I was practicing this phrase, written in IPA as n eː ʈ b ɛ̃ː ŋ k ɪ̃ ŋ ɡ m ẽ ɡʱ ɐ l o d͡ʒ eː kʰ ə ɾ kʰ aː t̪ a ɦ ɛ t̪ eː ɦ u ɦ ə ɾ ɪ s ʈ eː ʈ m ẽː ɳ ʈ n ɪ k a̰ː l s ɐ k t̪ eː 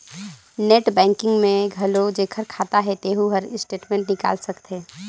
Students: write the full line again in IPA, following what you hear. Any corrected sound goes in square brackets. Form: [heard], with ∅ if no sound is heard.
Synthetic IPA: n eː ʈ b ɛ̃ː ŋ k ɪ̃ ŋ ɡ m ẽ ɡʱ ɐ l o d͡ʒ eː kʰ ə ɾ kʰ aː t̪ a ɦ ɛ t̪ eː ɦ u ɦ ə ɾ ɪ s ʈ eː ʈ m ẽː ɳ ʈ n ɪ k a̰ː l s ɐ k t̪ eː